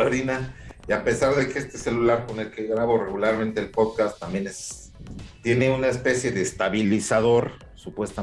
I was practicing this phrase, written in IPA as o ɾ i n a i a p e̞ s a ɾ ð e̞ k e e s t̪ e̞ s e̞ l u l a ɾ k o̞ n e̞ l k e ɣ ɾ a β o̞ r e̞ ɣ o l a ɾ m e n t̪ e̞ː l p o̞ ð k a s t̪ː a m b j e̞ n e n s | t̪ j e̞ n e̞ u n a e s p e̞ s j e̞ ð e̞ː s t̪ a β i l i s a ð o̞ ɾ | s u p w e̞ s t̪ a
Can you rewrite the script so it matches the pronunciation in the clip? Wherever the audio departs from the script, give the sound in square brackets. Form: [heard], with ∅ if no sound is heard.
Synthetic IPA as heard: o ɾ i n a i a p e̞ s a ɾ ð e̞ k e e s t̪ e̞ s e̞ l u l a ɾ k o̞ n e̞ l k e ɣ ɾ a β o̞ r e̞ ɣ [u] l a ɾ m e n t̪ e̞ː l p o̞ ð k a s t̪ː a m b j e̞ n e [∅] s | t̪ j e̞ n e̞ u n a e s p e̞ s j e̞ ð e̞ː s t̪ a β i l i s a ð o̞ ɾ | s u p w e̞ s t̪ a

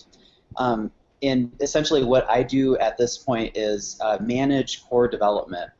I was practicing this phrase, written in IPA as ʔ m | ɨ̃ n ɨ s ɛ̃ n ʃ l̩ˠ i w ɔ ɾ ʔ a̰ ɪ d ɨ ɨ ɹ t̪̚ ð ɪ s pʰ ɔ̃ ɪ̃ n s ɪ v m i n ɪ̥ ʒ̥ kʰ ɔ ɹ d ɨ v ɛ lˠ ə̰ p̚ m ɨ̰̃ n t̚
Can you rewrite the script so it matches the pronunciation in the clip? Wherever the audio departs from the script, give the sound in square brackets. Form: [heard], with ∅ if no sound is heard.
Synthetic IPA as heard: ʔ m | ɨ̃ n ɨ s ɛ̃ n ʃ l̩ˠ i w [ʌ] ɾ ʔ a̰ ɪ d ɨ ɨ [∅] t̪̚ ð ɪ s pʰ ɔ̃ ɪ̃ n [t] ɪ [z] m [æ] n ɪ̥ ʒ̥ kʰ ɔ ɹ d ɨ v ɛ lˠ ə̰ p̚ m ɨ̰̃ n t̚

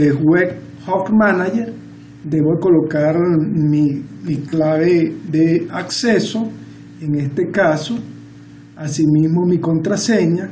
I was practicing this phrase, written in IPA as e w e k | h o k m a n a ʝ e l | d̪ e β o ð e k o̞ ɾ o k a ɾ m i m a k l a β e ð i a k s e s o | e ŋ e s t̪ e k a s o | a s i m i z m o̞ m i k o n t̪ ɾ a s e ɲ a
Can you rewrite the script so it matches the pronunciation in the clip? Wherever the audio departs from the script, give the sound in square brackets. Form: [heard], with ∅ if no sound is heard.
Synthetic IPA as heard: e w e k | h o k m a n a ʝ e [ɾ] | d̪ e β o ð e k o̞ [l] o k a ɾ m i m [i] k l a β e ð [e] a k s e s o | e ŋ e s t̪ e k a s o | a s i m i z m o̞ m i k o n t̪ ɾ a s e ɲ a

